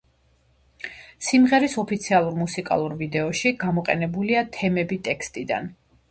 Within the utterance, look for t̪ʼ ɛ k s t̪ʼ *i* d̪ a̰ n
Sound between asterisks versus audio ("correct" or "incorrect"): correct